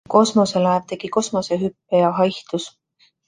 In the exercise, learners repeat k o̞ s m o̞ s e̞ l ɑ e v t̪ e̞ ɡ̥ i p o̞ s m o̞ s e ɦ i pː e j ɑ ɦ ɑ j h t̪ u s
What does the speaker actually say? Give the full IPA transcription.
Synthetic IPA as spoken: k o̞ s m o̞ s e̞ l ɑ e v t̪ e̞ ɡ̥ i k o̞ s m o̞ s e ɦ y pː e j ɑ ɦ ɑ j h t̪ u s